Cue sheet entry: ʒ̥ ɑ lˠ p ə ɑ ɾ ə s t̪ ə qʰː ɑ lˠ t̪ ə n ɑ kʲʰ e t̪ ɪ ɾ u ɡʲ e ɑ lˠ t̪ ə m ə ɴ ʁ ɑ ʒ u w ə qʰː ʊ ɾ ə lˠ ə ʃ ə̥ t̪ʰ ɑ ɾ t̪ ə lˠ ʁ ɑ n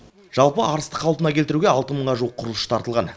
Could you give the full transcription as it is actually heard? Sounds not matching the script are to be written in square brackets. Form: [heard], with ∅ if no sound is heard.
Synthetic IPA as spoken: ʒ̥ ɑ lˠ p ə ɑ ɾ ə s t̪ ə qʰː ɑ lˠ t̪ ə n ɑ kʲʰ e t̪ ɪ ɾ u ɡʲ e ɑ lˠ t̪ ə m ə ɴ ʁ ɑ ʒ u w ə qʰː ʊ ɾ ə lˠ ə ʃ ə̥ t̪ʰ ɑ ɾ t̪ ə lˠ ʁ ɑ n